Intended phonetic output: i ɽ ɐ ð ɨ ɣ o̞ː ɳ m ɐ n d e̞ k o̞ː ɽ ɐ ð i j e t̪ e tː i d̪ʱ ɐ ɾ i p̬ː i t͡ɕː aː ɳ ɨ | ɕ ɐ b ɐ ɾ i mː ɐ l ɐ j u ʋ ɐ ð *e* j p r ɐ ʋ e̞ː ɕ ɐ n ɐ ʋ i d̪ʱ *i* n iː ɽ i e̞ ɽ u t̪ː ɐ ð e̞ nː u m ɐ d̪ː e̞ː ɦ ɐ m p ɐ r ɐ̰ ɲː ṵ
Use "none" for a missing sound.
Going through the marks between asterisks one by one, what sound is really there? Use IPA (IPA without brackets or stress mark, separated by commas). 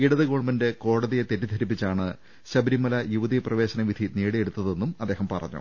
i, i